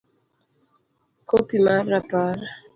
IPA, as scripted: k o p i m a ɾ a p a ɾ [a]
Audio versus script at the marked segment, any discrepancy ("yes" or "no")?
no